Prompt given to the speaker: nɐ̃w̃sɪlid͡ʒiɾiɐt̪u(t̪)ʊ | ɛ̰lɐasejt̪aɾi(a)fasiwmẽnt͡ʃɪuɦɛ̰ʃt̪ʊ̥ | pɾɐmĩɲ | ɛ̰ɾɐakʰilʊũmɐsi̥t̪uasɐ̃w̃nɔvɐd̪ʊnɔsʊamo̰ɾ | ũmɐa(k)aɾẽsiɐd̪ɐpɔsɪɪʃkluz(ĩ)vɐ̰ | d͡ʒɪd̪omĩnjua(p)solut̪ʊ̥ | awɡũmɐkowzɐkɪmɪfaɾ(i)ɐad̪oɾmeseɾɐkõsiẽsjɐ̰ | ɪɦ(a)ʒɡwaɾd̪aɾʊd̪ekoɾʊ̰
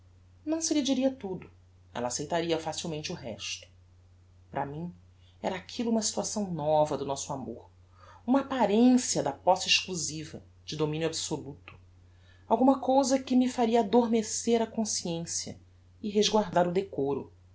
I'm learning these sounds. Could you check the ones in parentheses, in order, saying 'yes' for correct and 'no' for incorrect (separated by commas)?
no, no, no, no, no, yes, no